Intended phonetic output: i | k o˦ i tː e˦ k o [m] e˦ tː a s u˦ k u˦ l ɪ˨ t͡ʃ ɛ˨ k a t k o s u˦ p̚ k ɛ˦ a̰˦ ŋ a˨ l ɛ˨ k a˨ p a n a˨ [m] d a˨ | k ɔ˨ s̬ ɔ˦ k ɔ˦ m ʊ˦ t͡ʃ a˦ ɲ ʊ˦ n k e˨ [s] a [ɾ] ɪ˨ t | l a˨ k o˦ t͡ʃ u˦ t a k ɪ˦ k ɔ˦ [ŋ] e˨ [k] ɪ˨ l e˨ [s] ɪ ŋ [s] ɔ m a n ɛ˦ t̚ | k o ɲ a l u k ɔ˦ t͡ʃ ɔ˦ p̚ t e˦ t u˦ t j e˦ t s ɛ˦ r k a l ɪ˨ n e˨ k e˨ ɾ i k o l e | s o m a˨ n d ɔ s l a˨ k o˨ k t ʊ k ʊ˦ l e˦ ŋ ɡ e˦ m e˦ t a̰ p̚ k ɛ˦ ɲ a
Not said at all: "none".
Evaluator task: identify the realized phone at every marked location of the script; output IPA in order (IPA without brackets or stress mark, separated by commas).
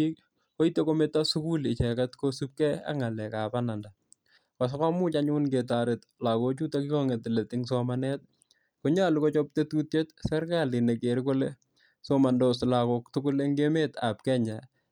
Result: m, n, t, ɾ, ŋ, t, t, s